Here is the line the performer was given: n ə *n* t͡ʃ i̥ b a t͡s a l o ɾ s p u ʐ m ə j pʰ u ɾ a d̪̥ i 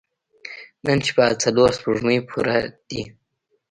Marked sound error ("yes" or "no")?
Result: no